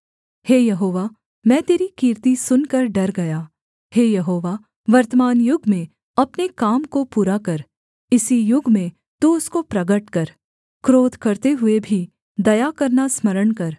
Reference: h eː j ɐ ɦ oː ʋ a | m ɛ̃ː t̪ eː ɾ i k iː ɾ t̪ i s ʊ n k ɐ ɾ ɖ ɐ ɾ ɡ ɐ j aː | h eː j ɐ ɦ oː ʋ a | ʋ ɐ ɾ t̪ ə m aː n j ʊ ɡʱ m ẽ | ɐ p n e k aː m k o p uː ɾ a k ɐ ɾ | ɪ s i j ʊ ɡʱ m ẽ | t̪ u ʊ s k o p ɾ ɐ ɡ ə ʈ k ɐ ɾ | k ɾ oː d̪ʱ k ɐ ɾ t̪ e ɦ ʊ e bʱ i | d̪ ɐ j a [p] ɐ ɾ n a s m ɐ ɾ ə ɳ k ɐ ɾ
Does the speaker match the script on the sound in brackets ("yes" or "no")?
no